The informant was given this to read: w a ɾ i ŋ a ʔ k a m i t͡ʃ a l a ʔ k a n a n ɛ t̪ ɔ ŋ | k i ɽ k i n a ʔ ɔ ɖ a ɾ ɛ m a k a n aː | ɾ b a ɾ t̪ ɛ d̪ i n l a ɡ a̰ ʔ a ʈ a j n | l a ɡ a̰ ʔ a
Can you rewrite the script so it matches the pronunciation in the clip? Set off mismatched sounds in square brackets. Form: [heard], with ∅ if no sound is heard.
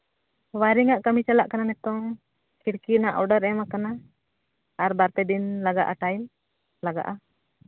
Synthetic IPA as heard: w a ɾ i ŋ a ʔ k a m i t͡ʃ a l a ʔ k a n a n ɛ t̪ ɔ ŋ | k i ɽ k i n a ʔ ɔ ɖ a ɾ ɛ m a k a n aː | ɾ b a ɾ t̪ ɛ d̪ i n l a ɡ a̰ ʔ a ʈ a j [m] | l a ɡ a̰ ʔ a